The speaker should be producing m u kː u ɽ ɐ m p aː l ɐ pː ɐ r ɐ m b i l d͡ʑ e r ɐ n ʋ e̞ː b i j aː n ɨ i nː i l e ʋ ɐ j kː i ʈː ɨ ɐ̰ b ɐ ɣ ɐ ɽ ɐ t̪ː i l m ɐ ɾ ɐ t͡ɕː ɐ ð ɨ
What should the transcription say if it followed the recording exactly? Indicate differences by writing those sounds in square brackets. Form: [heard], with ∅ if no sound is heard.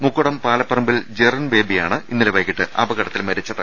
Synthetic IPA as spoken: m u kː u ɽ ɐ m p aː l ɐ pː ɐ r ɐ m b i l d͡ʑ e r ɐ n ʋ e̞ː b i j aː [ɳ] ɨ i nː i l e ʋ ɐ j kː i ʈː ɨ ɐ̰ b ɐ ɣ ɐ ɽ ɐ t̪ː i l m ɐ ɾ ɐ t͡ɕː ɐ ð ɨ